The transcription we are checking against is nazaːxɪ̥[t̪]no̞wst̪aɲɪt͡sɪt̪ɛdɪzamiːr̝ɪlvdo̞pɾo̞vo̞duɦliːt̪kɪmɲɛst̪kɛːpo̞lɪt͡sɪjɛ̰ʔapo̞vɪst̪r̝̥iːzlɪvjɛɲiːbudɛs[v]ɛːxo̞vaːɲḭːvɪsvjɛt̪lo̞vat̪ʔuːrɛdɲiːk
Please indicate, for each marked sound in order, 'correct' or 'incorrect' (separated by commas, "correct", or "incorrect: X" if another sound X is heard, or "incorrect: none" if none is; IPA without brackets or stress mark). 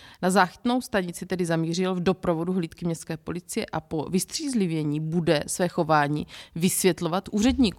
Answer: correct, correct